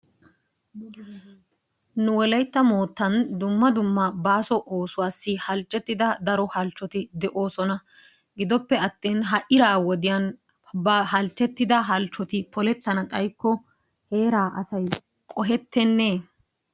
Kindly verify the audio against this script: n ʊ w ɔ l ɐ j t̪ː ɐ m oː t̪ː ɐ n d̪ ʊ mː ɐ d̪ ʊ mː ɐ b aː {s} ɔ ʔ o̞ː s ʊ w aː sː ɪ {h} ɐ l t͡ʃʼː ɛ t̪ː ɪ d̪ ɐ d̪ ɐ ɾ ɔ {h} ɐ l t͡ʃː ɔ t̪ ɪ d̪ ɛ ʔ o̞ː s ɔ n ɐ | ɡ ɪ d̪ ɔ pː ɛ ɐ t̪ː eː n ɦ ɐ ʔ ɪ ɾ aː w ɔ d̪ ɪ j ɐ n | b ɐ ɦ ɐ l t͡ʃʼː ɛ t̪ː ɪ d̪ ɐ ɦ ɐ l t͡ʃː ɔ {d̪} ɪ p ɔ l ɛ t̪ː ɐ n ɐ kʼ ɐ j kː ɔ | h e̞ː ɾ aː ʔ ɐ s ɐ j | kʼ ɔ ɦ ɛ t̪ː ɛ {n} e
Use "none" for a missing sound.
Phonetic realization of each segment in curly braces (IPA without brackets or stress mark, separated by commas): s, h, h, t̪, nː